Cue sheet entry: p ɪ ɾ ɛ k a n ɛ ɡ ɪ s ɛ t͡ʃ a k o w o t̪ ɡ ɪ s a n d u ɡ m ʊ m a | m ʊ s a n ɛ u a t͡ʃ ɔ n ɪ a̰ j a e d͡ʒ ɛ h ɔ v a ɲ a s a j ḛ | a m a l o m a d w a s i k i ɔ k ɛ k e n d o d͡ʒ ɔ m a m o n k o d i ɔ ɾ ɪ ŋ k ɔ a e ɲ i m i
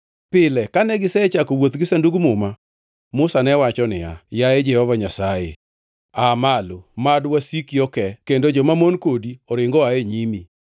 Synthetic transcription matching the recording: p ɪ l ɛ k a n ɛ ɡ ɪ s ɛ t͡ʃ a k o w o t̪ ɡ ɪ s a n d u ɡ m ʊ m a | m ʊ s a n ɛ w a t͡ʃ ɔ n ɪ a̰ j a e d͡ʒ ɛ h ɔ v a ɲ a s a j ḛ | a m a l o m a d w a s i k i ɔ k ɛ k e n d o d͡ʒ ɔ m a m o n k o d i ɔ ɾ ɪ ŋ ɡ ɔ a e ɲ i m i